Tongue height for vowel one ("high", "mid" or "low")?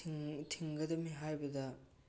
high